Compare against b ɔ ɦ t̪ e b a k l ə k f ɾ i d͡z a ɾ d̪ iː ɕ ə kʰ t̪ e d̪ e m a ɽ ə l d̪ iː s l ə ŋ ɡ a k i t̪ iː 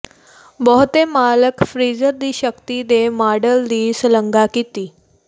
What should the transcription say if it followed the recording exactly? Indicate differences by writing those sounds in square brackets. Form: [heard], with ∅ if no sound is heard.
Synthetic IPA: b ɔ ɦ t̪ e [m] a [∅] l ə k f ɾ i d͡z [ə] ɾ d̪ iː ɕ ə [k] t̪ [i] d̪ e m a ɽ ə l d̪ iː s l ə ŋ ɡ a k i t̪ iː